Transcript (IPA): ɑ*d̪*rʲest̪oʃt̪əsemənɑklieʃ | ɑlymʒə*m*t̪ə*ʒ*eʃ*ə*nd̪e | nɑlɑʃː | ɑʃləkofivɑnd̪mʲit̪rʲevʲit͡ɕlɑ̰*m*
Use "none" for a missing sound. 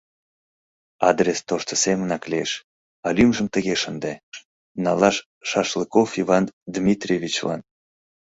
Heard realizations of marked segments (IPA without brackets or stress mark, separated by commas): d̪, m, ɣ, ə, n